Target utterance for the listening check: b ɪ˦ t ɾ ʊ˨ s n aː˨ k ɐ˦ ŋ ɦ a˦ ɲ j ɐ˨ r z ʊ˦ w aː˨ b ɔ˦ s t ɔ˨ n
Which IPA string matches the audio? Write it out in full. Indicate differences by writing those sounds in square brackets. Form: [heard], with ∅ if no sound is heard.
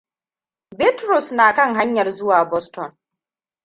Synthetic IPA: b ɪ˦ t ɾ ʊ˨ s n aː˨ k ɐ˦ ŋ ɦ a˦ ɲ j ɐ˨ r z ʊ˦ w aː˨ b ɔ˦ s t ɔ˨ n